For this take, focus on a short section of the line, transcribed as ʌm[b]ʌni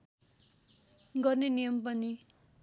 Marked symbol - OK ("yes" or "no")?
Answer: no